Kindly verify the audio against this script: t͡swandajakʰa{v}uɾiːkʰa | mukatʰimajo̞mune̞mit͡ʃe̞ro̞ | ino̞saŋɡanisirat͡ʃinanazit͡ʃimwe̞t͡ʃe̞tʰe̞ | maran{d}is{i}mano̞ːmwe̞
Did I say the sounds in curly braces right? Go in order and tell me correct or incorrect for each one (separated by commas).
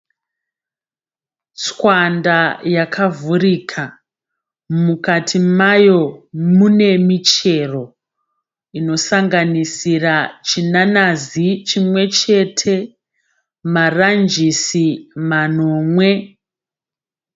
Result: correct, incorrect, correct